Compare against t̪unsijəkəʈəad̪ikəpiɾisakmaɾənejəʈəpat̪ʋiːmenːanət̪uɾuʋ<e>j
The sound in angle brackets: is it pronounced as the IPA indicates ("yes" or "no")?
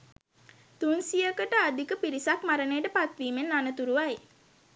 no